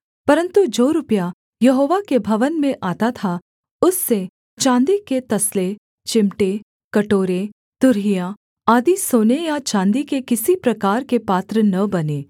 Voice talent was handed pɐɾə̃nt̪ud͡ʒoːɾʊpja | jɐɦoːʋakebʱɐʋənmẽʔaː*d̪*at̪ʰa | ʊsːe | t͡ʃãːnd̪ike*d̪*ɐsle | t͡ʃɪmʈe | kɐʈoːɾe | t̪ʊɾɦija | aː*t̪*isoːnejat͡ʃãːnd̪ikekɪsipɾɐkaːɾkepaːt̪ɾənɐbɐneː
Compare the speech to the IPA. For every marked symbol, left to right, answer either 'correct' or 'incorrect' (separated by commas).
incorrect, incorrect, incorrect